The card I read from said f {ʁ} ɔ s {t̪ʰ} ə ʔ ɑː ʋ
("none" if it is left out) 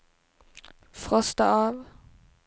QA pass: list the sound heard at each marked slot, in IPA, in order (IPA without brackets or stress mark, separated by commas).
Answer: ʁ, t̪